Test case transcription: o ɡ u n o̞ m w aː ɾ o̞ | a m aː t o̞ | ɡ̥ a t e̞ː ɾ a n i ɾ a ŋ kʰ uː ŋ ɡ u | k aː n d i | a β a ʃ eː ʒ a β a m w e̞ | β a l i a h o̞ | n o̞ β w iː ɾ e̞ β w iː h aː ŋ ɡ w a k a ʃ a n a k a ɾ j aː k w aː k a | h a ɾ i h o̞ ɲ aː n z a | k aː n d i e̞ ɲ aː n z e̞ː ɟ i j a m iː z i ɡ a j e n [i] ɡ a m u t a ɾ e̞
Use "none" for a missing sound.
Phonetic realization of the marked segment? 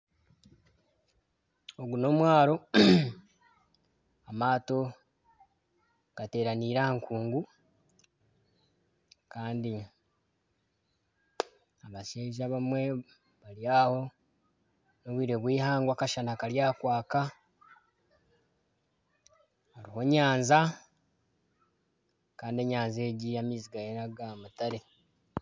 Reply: a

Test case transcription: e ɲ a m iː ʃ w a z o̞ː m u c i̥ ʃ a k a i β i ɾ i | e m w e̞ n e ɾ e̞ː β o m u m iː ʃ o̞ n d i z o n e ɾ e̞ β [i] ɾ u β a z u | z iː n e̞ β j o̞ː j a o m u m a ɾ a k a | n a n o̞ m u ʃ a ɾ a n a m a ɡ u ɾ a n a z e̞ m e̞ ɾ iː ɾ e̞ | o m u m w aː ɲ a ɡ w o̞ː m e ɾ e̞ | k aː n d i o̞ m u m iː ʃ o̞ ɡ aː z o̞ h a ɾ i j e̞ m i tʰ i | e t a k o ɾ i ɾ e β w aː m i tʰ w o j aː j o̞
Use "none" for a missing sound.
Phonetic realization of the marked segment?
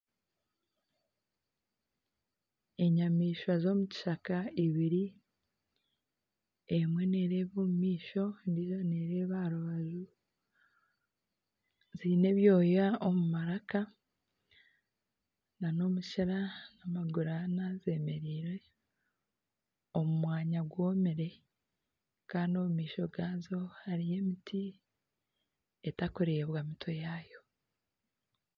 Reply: a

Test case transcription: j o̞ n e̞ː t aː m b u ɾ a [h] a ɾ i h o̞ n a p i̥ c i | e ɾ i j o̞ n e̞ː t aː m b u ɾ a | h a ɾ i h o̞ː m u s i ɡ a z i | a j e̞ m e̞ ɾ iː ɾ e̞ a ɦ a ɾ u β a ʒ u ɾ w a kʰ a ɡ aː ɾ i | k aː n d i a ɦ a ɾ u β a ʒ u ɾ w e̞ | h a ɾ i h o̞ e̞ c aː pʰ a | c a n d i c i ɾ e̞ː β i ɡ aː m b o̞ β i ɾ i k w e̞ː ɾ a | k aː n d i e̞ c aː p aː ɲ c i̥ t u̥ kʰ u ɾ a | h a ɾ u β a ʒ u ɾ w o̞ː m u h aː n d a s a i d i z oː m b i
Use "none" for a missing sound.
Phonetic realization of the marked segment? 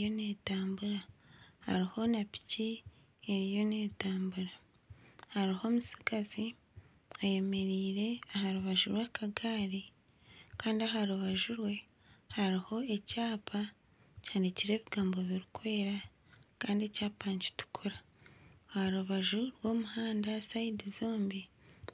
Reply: h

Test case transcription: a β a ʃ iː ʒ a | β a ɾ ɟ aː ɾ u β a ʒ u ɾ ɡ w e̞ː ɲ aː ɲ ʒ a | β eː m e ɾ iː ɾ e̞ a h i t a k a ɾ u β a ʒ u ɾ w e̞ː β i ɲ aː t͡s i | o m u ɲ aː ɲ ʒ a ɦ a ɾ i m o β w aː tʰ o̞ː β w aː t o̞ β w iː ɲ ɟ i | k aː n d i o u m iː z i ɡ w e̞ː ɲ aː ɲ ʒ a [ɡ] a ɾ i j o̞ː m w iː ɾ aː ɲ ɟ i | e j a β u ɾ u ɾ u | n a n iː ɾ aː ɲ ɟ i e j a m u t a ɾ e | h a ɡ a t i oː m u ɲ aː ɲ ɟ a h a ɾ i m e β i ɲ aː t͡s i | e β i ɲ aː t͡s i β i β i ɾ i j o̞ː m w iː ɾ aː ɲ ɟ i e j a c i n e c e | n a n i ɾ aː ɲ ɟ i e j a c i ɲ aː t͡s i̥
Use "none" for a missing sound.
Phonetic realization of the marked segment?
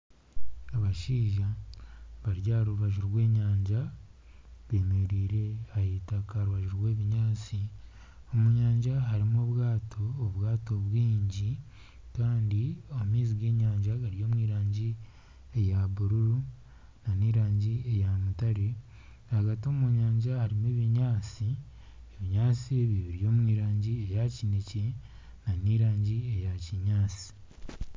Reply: ɡ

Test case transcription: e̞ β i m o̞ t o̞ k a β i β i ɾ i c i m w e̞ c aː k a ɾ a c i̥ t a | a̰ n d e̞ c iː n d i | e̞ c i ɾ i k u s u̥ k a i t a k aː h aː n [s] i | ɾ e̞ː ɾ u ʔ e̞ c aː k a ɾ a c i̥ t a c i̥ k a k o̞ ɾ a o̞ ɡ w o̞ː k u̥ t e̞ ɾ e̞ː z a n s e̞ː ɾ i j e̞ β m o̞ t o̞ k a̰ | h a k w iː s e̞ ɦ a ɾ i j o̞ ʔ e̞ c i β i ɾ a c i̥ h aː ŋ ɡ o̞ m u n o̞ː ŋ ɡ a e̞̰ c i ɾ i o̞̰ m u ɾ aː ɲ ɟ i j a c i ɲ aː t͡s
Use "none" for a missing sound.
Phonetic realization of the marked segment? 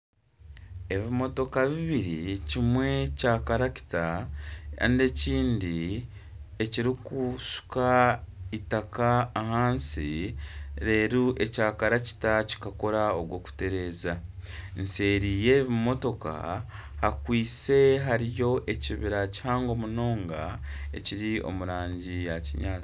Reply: s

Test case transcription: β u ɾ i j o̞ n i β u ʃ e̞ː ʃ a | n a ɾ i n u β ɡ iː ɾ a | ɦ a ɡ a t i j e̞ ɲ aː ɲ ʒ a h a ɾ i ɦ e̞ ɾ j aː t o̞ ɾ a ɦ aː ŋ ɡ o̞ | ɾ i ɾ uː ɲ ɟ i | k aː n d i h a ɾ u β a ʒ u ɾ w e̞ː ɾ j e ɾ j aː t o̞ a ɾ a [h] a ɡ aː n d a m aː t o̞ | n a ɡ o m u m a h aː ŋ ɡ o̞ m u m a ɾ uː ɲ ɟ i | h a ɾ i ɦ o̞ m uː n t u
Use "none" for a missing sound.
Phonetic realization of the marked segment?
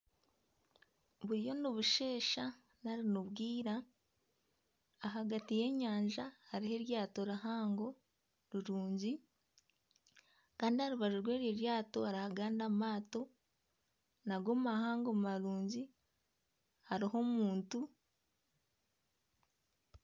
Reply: h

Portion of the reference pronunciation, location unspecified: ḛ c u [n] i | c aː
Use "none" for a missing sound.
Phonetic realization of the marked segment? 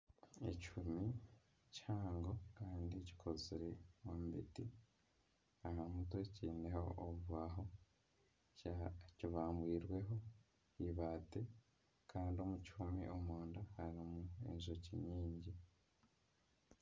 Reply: m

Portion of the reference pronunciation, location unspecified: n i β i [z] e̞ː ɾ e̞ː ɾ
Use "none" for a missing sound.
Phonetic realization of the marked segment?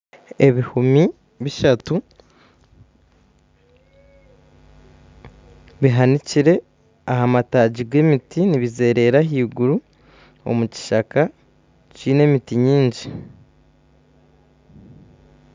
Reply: z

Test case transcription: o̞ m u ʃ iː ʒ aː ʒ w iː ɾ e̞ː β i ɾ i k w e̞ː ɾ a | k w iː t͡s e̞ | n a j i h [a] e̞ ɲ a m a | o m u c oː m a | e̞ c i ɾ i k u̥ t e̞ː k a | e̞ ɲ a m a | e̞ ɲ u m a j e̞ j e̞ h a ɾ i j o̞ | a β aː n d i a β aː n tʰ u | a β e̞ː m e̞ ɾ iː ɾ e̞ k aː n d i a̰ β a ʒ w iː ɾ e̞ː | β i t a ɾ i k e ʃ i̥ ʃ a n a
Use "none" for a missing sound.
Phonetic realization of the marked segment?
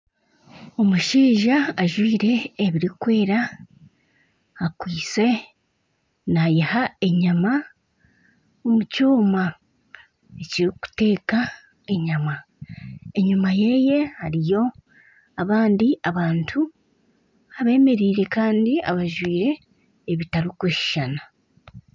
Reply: a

